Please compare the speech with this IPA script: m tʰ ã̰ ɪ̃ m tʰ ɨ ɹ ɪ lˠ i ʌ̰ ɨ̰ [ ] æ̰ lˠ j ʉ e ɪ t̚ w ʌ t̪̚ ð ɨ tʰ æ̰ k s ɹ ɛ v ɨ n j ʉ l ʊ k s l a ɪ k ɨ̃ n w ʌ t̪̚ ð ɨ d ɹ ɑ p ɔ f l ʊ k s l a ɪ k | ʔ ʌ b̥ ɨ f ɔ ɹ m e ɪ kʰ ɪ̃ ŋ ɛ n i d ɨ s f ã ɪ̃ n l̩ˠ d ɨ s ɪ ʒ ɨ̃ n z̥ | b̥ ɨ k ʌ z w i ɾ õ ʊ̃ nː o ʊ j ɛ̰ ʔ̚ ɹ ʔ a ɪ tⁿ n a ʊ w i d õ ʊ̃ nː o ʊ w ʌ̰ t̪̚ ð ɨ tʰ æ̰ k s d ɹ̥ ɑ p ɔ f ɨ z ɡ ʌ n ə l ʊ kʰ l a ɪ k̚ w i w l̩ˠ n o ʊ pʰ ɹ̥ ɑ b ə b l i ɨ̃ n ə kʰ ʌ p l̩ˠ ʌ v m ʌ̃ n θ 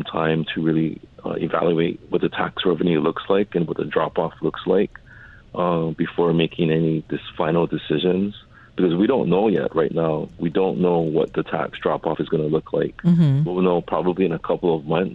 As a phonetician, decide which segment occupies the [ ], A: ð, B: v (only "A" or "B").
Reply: B